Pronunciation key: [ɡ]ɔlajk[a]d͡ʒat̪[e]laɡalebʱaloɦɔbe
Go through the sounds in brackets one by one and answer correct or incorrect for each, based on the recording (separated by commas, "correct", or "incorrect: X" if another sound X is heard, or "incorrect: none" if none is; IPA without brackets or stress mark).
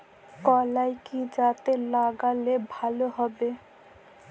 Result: incorrect: k, incorrect: i, correct